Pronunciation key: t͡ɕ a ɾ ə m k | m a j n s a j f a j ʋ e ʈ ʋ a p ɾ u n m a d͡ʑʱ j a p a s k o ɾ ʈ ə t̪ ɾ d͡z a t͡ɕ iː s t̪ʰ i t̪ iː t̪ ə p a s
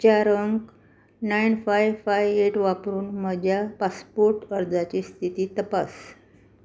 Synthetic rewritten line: t͡ɕ a ɾ ə ŋ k | n a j n f a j f a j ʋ e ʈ ʋ a p ɾ uː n m ə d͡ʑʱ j a p a s p o ɾ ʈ ə ɾ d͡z a t͡ɕ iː s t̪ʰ i t̪ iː t̪ ə p a s